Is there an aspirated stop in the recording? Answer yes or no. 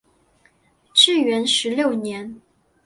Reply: no